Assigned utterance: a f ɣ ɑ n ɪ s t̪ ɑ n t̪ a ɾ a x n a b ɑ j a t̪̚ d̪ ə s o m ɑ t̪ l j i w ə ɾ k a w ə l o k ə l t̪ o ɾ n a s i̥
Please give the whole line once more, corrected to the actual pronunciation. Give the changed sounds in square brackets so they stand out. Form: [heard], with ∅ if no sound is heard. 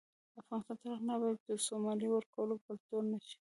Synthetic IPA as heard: a f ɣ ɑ n ɪ s t̪ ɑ n t̪ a ɾ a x n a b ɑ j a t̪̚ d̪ ə s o m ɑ [∅] l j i w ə ɾ k a w ə l o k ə l t̪ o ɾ n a [ʃ] i̥